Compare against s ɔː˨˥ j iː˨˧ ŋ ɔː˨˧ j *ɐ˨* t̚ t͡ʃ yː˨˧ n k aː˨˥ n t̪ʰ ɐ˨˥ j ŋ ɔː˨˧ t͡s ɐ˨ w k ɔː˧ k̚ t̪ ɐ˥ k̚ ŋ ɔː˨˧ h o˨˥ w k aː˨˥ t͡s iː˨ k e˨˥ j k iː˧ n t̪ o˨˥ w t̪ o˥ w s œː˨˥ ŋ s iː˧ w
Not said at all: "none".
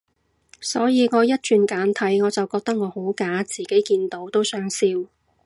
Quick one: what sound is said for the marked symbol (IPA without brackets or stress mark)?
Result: ɐ˥